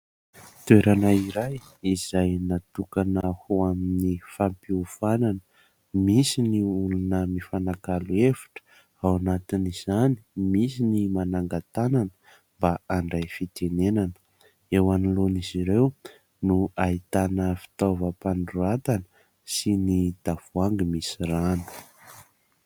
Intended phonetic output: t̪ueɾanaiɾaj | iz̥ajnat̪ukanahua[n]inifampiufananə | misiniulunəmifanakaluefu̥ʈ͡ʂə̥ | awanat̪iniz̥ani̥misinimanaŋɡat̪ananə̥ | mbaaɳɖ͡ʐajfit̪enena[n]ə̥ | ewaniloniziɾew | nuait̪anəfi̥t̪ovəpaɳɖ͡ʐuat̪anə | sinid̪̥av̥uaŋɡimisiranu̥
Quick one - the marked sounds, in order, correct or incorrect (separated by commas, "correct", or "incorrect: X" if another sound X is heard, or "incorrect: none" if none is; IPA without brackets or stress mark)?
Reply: incorrect: m, correct